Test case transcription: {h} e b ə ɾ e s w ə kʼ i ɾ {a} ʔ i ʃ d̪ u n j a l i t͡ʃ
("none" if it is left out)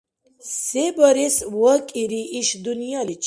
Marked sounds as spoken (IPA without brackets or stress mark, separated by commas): s, i